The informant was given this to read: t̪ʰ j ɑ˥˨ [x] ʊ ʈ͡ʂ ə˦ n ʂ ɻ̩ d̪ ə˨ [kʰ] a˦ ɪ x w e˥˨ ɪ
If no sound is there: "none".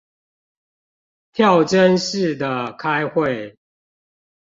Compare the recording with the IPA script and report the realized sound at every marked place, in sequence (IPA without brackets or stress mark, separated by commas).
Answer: none, kʰ